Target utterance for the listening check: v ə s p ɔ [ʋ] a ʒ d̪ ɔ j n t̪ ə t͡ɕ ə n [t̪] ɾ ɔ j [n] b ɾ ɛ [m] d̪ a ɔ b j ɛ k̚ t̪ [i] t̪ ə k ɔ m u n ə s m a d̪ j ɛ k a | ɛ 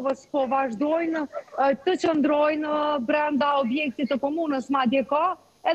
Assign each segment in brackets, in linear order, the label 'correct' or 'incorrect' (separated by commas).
incorrect, incorrect, correct, incorrect, correct